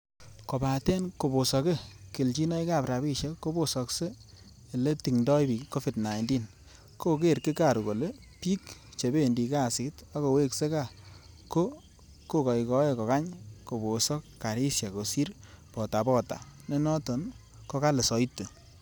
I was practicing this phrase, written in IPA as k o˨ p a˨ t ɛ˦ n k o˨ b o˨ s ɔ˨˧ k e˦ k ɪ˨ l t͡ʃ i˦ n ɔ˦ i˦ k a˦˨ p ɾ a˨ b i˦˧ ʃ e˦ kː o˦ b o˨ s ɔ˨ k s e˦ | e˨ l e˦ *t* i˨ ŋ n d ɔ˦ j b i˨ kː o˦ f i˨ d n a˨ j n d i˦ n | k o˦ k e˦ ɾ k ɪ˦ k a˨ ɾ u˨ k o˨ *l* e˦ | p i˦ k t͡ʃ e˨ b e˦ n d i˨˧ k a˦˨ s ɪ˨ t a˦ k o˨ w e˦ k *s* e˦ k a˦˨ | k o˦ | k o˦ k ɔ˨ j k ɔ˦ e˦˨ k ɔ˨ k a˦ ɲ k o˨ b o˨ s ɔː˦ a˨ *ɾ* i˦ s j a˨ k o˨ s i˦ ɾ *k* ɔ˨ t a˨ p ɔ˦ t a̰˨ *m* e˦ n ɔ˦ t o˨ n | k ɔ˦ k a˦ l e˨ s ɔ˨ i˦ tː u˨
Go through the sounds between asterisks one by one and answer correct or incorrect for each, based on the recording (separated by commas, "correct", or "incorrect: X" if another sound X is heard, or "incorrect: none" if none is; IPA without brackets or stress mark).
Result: correct, correct, correct, correct, incorrect: p, incorrect: n